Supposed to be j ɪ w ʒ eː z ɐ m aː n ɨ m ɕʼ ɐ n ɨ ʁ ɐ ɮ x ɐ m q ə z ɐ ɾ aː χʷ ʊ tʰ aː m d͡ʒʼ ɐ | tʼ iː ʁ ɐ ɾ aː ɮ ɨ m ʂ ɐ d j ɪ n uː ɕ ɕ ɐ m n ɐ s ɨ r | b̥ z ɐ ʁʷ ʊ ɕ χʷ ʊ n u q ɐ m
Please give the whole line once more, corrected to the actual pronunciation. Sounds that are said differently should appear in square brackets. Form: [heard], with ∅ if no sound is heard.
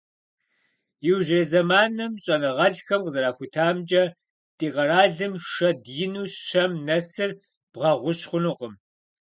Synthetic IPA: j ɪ w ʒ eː z ɐ m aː n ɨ m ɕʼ ɐ n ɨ ʁ ɐ ɮ x ɐ m q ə z ɐ ɾ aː [xʷ] ʊ tʰ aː m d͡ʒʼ ɐ | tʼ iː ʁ ɐ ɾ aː ɮ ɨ m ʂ ɐ d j ɪ n uː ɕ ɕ ɐ m n ɐ s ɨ r | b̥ [ʁ] ɐ ʁʷ ʊ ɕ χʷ ʊ n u q [ə] m